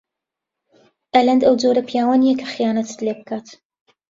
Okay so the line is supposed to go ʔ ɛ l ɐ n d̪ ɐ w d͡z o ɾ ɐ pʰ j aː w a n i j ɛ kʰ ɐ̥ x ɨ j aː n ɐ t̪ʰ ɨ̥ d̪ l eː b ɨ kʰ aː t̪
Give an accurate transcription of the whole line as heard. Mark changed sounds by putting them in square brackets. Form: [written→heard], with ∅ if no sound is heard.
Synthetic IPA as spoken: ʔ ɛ l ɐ n d̪ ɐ w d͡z o ɾ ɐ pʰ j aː w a n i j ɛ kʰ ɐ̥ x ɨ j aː n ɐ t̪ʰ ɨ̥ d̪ l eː b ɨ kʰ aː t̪